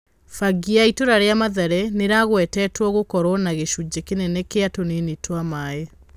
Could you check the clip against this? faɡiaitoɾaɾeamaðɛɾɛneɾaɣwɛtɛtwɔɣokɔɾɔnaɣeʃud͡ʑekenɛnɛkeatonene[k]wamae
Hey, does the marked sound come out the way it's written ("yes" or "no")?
no